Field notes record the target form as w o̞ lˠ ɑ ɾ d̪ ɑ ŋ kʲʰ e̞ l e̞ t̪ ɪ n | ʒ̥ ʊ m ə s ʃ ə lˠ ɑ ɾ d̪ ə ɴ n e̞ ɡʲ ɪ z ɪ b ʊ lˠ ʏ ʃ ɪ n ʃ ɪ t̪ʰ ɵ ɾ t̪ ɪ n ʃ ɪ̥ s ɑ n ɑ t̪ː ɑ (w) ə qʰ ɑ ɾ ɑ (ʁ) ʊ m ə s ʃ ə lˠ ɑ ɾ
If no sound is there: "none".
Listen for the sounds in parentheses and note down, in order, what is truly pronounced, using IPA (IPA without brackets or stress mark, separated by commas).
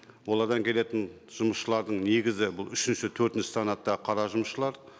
none, ʒ